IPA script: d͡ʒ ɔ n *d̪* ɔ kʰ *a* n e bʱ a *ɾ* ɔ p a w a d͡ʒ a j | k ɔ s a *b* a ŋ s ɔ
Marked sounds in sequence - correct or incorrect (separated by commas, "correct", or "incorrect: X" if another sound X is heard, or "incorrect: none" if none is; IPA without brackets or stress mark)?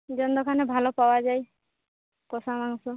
correct, correct, incorrect: l, incorrect: m